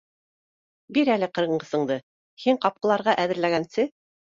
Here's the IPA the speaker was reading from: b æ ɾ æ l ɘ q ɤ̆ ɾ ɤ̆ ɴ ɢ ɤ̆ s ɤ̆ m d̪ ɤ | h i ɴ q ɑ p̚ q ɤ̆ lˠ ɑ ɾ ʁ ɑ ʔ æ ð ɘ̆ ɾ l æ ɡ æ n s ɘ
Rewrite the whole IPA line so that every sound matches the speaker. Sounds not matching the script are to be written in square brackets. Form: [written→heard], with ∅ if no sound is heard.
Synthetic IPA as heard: b [æ→i] ɾ æ l ɘ q ɤ̆ ɾ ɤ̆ ɴ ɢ ɤ̆ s ɤ̆ [m→ɴ] d̪ ɤ | h i ɴ q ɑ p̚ q ɤ̆ lˠ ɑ ɾ ʁ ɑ ʔ æ ð ɘ̆ ɾ l æ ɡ æ n s ɘ